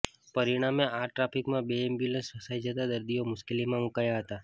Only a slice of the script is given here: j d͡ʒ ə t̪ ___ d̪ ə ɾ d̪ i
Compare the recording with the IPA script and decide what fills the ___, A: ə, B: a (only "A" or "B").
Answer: B